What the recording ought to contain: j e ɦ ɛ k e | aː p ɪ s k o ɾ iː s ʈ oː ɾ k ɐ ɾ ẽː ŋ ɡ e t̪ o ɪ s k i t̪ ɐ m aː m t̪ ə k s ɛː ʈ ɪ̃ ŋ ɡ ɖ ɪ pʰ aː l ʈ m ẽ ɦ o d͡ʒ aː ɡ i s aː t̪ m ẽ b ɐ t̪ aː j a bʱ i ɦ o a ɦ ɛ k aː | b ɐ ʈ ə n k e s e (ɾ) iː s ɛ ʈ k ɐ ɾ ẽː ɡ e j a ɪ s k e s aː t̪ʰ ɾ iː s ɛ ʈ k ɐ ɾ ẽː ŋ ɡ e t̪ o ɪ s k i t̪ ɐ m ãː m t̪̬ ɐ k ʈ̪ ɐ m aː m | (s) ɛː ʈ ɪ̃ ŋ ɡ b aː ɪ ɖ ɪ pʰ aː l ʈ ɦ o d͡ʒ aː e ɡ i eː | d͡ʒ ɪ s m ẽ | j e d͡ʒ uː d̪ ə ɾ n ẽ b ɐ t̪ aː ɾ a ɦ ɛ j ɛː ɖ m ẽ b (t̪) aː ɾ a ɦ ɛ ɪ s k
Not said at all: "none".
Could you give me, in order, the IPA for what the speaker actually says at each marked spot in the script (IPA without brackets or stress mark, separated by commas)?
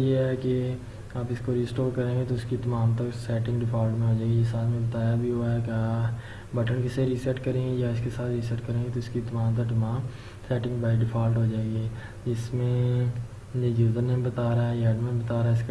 ɾ, s, t̪